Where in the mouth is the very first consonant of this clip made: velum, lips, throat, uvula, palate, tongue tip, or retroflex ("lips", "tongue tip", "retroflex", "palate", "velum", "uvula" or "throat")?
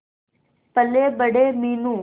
lips